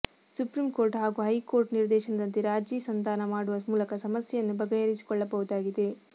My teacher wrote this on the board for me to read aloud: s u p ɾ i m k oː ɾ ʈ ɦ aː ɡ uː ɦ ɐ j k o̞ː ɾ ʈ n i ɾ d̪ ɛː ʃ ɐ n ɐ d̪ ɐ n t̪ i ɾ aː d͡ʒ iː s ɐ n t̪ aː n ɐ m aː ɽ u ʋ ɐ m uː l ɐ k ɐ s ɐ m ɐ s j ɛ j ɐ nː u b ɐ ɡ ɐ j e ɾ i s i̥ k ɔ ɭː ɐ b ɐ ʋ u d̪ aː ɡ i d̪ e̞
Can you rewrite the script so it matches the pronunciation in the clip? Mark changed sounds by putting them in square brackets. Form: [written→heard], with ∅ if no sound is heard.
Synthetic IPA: s u p ɾ i m k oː ɾ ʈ ɦ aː ɡ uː ɦ ɐ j k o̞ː ɾ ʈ n i ɾ d̪ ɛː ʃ ɐ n ɐ d̪ ɐ n t̪ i ɾ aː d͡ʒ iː s ɐ n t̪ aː n ɐ m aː ɽ u ʋ ɐ m uː l ɐ k ɐ s ɐ m ɐ s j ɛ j ɐ nː u b ɐ ɡ ɐ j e ɾ i s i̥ k ɔ ɭː ɐ b ɐ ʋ u d̪ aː ɡ i d̪ e̞

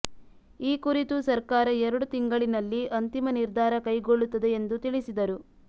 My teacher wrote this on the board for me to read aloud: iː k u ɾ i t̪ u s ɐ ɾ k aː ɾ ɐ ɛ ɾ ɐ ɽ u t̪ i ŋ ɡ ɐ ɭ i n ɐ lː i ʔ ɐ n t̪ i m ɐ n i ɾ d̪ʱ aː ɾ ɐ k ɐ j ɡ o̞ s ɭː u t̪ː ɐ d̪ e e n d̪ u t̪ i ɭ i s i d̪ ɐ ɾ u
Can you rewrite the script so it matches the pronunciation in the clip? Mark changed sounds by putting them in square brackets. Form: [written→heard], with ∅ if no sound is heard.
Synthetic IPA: iː k u ɾ i t̪ u s ɐ ɾ k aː ɾ ɐ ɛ ɾ ɐ ɽ u t̪ i ŋ ɡ ɐ ɭ i n ɐ lː i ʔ ɐ n t̪ i m ɐ n i ɾ d̪ʱ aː ɾ ɐ k ɐ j ɡ o̞ [s→∅] ɭː u t̪ː ɐ d̪ e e n d̪ u t̪ i ɭ i s i d̪ ɐ ɾ u

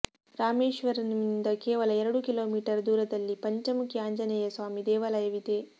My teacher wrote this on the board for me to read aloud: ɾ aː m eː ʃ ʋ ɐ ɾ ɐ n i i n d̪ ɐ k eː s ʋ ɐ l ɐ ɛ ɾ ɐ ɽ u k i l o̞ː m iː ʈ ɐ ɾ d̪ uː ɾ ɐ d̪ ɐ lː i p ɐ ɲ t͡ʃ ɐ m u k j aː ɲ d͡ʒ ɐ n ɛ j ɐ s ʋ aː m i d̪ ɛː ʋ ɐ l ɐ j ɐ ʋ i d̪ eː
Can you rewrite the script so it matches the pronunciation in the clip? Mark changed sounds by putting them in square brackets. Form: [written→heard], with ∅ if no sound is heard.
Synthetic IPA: ɾ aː m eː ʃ ʋ ɐ ɾ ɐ n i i n d̪ ɐ k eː [s→∅] ʋ ɐ l ɐ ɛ ɾ ɐ ɽ u k i l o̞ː m iː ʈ ɐ ɾ d̪ uː ɾ ɐ d̪ ɐ lː i p ɐ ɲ t͡ʃ ɐ m u k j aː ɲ d͡ʒ ɐ n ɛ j ɐ s ʋ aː m i d̪ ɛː ʋ ɐ l ɐ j ɐ ʋ i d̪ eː

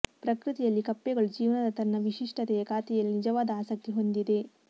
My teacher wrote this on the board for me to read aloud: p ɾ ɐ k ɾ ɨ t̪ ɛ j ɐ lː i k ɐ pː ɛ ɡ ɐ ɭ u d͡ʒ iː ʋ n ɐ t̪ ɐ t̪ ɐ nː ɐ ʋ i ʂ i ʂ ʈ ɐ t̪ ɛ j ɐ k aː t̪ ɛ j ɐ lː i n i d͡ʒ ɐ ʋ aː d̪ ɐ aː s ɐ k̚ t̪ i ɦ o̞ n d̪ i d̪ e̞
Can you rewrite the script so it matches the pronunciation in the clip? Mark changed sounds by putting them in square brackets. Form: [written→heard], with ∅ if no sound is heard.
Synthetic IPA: p ɾ ɐ k ɾ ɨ t̪ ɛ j ɐ lː i k ɐ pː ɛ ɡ ɐ ɭ u d͡ʒ iː ʋ n ɐ [t̪→d̪] ɐ t̪ ɐ nː ɐ ʋ i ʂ i ʂ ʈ ɐ t̪ ɛ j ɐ k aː t̪ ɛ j ɐ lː i n i d͡ʒ ɐ ʋ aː d̪ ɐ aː s ɐ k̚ t̪ i ɦ o̞ n d̪ i d̪ e̞

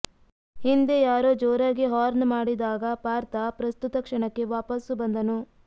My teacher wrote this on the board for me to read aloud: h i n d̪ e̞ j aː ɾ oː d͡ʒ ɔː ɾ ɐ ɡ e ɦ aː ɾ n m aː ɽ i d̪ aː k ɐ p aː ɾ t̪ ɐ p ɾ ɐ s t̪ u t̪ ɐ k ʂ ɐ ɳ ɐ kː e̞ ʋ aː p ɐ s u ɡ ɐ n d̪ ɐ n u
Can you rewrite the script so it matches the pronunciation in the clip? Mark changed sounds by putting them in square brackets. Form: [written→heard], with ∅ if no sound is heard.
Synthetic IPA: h i n d̪ e̞ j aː ɾ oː d͡ʒ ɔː ɾ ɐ ɡ e ɦ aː ɾ n m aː ɽ i d̪ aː [k→ɡ] ɐ p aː ɾ t̪ ɐ p ɾ ɐ s t̪ u t̪ ɐ k ʂ ɐ ɳ ɐ kː e̞ ʋ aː p ɐ s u [ɡ→b] ɐ n d̪ ɐ n u

